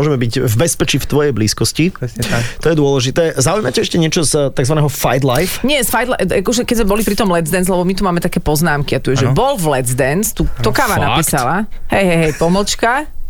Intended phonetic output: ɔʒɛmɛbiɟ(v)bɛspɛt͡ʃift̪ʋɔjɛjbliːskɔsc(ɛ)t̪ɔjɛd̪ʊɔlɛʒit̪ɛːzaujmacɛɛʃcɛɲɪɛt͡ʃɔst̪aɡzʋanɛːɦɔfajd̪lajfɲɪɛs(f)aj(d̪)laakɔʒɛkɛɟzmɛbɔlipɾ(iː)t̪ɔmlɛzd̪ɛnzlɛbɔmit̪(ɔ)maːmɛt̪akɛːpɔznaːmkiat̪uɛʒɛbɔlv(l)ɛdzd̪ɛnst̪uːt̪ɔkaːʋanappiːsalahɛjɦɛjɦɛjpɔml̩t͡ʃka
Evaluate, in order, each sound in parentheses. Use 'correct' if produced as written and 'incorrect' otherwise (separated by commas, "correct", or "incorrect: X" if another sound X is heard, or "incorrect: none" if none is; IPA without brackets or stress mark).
correct, incorrect: i, correct, correct, incorrect: i, incorrect: u, correct